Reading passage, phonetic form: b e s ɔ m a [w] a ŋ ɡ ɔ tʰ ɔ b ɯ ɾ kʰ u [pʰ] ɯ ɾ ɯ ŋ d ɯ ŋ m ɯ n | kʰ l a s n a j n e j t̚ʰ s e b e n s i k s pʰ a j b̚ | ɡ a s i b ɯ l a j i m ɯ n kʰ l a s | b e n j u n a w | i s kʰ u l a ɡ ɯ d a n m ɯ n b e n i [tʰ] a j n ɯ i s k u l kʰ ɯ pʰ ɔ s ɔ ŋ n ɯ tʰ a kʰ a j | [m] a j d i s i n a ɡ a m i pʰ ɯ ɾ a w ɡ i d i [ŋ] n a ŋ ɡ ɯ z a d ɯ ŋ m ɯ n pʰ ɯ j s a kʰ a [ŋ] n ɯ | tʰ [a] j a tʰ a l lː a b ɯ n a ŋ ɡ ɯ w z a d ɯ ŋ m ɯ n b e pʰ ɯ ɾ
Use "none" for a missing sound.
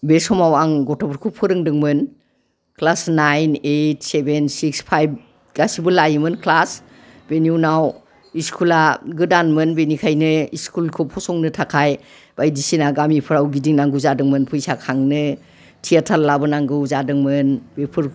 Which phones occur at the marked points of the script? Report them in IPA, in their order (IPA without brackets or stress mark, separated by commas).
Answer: w, pʰ, kʰ, b, ŋ, ŋ, i